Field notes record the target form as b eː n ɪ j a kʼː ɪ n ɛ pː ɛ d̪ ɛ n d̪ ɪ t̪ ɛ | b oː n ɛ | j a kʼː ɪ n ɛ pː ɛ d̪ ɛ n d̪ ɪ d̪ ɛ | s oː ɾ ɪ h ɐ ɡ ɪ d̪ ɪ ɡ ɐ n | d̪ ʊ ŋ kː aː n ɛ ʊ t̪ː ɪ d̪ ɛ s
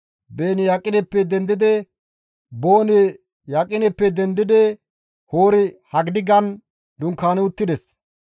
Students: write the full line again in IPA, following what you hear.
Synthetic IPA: b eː n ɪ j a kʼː ɪ n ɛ pː ɛ d̪ ɛ n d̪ ɪ d̪ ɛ | b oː n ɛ | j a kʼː ɪ n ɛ pː ɛ d̪ ɛ n d̪ ɪ d̪ ɛ | h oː ɾ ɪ h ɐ ɡ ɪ d̪ ɪ ɡ ɐ n | d̪ ʊ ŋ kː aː n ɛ ʊ t̪ː ɪ d̪ ɛ s